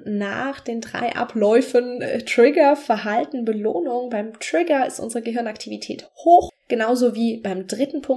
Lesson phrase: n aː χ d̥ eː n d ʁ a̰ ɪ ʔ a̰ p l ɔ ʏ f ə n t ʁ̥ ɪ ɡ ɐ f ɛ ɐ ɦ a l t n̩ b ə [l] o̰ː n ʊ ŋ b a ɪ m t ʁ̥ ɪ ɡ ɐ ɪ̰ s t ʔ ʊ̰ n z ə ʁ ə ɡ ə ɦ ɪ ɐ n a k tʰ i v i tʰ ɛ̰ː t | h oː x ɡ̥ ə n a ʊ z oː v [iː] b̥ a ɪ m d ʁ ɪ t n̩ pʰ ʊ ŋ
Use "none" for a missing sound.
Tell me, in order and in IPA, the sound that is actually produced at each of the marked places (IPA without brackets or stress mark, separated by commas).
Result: l, iː